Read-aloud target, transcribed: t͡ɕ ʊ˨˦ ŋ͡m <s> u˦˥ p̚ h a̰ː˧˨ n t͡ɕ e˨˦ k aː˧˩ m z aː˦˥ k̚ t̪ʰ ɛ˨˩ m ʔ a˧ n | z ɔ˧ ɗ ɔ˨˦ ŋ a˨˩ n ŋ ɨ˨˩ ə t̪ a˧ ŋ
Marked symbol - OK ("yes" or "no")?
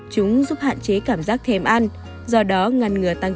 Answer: no